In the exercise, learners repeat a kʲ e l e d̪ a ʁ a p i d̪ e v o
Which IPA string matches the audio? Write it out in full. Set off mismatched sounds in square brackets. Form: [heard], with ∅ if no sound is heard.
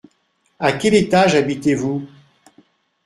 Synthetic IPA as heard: a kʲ [ɛ] l e [t̪] a [ʒ] a [b] i [t̪] e v [u]